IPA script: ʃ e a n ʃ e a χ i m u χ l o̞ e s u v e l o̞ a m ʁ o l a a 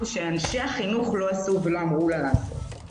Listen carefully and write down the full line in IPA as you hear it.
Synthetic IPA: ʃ e a n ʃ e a χ i n u χ l o̞ a s u v e l o̞ a m ʁ u l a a